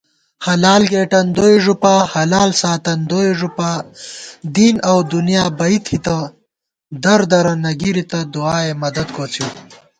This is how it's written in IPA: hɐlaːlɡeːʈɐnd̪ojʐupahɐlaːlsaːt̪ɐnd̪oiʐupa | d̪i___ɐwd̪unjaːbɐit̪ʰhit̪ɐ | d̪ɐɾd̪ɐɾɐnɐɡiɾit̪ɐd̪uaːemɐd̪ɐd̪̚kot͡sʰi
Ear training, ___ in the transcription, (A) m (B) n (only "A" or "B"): B